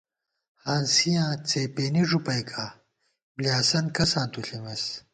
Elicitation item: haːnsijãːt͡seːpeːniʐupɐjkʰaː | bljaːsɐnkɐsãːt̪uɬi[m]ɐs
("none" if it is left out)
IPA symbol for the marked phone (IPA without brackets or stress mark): m